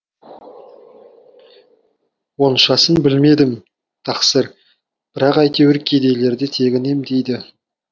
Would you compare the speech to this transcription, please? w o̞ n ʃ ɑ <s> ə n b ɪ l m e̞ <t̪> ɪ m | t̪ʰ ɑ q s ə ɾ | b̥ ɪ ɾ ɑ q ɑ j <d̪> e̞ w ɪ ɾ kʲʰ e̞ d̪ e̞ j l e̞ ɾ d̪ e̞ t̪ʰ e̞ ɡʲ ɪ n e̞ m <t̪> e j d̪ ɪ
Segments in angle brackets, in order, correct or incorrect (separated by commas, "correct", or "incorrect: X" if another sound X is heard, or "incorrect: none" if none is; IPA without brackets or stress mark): correct, incorrect: d̪, incorrect: t̪, incorrect: d̪